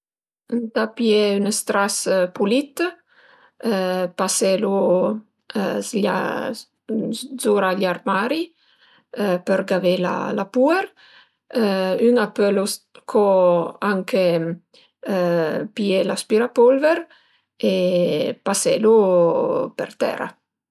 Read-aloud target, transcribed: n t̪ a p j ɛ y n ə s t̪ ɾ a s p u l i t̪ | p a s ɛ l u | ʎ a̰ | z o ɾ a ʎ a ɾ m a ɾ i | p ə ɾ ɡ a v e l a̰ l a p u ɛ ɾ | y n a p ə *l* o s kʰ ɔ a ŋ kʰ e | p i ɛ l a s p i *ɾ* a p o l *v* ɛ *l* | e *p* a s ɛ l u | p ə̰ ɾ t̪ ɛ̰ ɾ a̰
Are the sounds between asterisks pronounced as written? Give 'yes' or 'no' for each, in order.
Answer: yes, yes, yes, no, yes

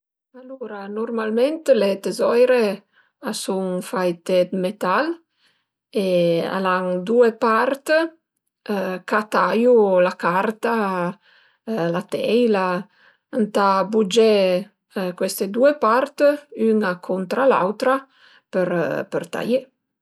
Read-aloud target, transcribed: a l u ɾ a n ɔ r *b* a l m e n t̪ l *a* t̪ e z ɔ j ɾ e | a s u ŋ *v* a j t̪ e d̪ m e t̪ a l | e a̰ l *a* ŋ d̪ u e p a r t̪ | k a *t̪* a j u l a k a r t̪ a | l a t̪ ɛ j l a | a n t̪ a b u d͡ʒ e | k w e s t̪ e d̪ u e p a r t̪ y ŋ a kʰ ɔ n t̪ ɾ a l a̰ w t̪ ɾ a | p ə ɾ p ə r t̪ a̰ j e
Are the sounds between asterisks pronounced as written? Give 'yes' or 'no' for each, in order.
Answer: no, no, no, yes, yes

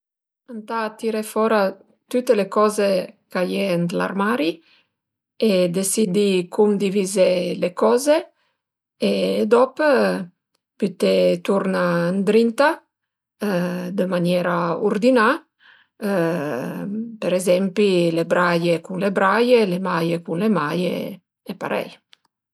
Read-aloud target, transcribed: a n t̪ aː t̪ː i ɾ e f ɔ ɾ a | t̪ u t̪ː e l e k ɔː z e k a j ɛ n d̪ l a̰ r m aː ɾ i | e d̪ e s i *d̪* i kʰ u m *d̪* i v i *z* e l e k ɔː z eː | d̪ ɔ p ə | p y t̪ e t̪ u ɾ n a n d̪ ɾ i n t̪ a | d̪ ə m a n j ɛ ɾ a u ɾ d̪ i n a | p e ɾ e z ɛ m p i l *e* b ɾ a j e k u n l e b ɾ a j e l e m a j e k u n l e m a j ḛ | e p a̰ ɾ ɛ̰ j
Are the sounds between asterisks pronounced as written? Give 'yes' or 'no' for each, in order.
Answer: yes, yes, yes, yes

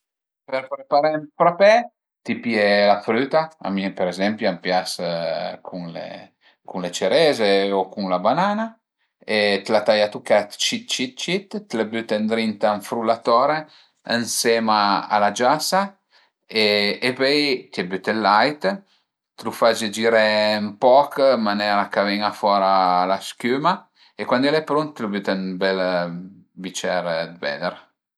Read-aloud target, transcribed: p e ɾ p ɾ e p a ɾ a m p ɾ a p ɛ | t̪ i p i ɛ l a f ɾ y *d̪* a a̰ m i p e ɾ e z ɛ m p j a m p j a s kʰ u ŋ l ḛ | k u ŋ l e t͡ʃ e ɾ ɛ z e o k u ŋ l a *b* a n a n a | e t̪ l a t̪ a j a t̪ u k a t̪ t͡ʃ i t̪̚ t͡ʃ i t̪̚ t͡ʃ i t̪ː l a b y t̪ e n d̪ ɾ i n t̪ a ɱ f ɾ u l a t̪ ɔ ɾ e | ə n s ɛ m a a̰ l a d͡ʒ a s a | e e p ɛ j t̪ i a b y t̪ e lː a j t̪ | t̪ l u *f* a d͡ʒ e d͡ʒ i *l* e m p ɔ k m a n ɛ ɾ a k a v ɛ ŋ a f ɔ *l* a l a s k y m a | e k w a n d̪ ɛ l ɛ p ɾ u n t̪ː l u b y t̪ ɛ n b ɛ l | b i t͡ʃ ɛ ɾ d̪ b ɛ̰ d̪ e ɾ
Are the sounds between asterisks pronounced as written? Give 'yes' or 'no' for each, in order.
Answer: no, yes, yes, no, no

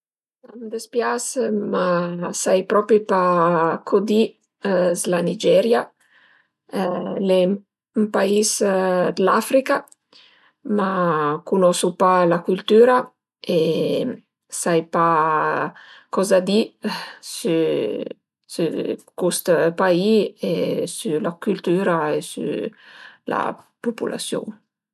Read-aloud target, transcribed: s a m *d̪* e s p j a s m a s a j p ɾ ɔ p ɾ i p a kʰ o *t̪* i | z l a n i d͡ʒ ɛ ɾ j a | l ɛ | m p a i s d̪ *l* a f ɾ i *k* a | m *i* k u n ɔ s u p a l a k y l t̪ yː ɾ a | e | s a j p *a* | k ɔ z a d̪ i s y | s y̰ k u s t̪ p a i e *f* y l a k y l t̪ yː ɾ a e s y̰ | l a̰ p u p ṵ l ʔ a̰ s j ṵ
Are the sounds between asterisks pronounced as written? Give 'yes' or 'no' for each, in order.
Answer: yes, no, yes, yes, no, yes, no

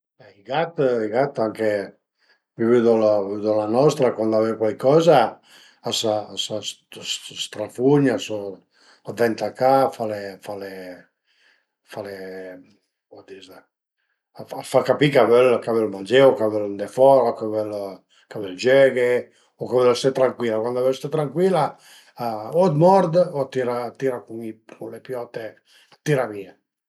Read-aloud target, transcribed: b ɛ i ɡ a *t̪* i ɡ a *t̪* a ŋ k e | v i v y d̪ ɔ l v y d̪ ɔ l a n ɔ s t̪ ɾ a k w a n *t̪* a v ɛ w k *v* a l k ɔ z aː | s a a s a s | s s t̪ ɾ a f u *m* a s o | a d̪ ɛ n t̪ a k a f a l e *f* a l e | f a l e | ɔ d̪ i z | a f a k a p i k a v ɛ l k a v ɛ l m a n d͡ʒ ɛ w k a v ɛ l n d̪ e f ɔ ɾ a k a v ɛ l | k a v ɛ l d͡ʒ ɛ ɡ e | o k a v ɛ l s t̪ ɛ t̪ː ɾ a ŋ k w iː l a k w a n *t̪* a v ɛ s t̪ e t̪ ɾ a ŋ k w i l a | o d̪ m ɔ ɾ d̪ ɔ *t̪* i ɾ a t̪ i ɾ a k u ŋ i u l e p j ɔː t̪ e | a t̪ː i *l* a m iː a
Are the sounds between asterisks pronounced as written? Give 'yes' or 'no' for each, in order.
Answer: yes, yes, no, no, no, yes, no, yes, no

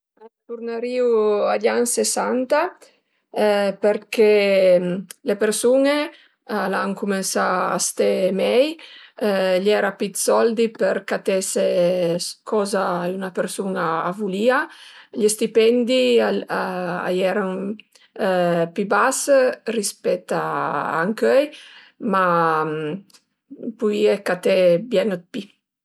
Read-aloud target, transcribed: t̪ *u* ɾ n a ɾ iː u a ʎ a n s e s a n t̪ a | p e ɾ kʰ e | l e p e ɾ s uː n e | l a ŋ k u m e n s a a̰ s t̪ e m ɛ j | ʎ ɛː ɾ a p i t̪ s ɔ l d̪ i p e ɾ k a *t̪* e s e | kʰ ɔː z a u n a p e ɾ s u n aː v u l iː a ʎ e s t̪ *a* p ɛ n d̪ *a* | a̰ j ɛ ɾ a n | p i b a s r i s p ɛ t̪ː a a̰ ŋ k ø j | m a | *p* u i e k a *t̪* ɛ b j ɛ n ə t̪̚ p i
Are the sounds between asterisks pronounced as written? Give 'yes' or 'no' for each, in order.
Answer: yes, yes, no, no, yes, yes

